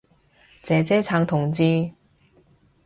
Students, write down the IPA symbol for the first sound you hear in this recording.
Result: t͡s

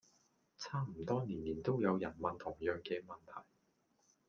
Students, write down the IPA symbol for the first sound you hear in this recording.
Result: t͡sʰ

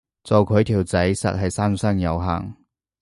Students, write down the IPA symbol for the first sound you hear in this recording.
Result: t͡s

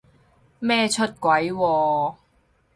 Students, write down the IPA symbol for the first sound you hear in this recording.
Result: m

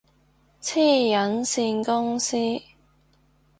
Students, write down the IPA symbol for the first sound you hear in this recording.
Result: t͡sʰ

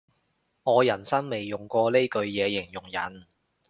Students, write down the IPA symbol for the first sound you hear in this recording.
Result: ŋ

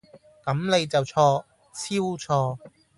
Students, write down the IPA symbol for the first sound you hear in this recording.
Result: k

